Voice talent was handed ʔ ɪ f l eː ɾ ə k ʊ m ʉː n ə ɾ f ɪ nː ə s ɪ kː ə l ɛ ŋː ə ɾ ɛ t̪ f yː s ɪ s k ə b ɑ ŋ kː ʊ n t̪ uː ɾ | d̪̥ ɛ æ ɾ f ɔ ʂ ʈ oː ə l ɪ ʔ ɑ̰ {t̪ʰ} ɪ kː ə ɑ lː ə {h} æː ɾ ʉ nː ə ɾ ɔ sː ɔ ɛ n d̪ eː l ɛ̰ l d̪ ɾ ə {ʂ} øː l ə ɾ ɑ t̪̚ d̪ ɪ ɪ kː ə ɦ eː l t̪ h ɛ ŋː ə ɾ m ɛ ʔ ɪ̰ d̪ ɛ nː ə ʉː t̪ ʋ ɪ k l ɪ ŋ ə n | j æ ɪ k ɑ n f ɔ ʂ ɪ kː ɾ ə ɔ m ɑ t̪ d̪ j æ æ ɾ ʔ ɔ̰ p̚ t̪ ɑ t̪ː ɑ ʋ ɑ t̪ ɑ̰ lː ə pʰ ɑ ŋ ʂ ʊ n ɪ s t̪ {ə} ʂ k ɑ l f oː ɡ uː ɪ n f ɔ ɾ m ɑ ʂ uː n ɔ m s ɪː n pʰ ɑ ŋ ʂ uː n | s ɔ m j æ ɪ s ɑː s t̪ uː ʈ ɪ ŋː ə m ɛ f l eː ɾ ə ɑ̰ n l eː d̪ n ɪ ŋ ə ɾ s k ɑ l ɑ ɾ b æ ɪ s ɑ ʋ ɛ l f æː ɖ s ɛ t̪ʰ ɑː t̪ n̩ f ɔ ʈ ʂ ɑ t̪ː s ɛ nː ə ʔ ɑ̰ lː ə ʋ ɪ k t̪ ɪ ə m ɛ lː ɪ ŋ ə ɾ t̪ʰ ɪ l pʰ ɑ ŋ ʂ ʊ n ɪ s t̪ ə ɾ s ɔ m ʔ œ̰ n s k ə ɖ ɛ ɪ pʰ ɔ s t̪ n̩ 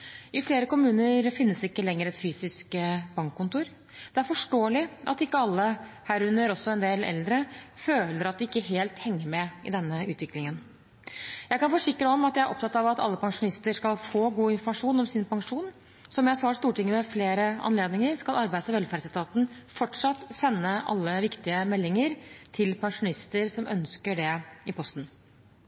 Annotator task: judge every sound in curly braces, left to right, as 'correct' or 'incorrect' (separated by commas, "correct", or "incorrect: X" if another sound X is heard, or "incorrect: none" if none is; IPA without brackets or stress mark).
incorrect: t̪, correct, incorrect: f, correct